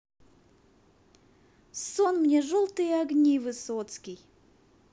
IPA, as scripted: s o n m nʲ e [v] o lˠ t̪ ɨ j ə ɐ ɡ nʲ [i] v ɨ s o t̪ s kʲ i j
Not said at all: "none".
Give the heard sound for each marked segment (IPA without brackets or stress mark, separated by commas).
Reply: ʐ, i